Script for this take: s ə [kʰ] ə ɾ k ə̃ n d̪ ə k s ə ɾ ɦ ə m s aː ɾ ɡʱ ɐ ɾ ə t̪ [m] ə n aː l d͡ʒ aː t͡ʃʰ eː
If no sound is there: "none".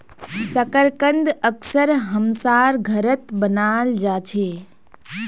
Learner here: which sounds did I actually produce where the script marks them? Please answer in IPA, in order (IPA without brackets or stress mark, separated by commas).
k, b